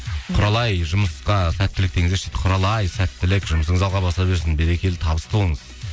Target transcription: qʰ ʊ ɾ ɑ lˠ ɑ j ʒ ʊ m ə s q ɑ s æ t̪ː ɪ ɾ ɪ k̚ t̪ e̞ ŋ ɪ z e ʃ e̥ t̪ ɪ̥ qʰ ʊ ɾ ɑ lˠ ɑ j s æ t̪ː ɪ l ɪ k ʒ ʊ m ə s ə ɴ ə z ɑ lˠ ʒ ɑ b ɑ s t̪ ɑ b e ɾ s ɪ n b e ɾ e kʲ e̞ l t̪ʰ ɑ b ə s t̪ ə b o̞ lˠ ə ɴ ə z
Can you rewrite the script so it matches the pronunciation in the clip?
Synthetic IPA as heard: qʰ ʊ ɾ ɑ lˠ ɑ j ʒ ʊ m ə s q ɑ s æ t̪ː ɪ l ɪ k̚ t̪ e̞ ŋ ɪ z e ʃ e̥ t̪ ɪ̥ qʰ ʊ ɾ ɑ lˠ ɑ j s æ t̪ː ɪ l ɪ k ʒ ʊ m ə s ə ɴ ə z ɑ lˠ ʁ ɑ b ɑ s t̪ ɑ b e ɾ s ɪ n b e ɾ e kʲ e̞ l t̪ʰ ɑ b ə s t̪ ə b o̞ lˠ ə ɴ ə z